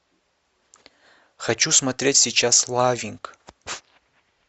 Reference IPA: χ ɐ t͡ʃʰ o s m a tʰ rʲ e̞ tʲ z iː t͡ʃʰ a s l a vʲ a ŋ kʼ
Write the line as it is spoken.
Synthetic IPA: χ a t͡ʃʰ u s m a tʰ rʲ e̞ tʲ s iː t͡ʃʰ a s l a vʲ i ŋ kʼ